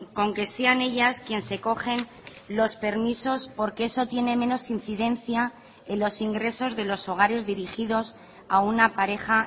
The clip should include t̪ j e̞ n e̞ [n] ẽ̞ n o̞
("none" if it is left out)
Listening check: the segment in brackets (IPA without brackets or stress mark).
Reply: m